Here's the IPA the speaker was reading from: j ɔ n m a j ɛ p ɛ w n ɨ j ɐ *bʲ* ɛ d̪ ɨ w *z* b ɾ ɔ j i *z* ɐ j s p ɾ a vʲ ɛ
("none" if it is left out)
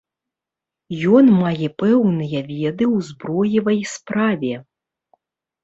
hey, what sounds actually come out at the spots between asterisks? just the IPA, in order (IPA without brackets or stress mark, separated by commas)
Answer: vʲ, z, v